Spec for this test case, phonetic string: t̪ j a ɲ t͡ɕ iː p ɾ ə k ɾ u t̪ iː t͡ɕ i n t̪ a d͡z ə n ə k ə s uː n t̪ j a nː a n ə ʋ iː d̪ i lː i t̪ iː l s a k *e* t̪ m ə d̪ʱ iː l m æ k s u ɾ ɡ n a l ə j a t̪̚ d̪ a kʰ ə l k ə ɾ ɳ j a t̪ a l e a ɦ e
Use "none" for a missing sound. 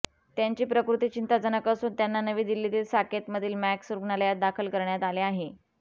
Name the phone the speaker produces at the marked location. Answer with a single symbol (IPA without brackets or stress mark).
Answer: e